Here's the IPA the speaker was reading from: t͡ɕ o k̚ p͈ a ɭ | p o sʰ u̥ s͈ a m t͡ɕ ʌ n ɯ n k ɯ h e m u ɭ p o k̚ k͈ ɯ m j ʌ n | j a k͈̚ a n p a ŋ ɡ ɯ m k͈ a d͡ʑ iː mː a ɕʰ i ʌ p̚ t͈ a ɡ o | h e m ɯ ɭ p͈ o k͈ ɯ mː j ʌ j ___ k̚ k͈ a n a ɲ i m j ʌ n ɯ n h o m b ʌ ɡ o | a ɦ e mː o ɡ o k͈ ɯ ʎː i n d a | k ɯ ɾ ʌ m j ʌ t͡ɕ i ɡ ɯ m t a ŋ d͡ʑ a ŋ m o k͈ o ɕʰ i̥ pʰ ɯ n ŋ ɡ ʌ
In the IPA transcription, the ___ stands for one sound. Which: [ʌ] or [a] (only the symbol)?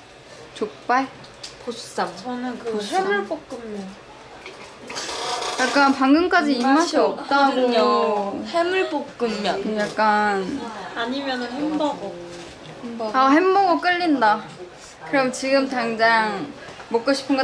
a